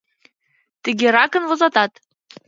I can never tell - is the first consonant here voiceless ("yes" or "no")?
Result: yes